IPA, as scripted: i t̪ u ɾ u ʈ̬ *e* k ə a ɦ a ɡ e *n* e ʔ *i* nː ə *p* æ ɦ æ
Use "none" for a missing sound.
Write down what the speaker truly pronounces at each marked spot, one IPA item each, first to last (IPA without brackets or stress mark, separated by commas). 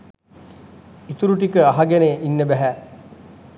i, n, i, b